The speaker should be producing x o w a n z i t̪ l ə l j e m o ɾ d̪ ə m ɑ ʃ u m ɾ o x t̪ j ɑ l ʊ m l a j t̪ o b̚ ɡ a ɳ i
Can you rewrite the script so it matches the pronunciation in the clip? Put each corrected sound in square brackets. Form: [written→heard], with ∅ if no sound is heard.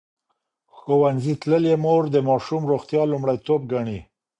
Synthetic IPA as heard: x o w a n z i t̪ l ə l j e m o ɾ d̪ ə m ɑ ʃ u m ɾ o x t̪ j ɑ l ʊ m [l→ɽ] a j t̪ o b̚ ɡ a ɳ i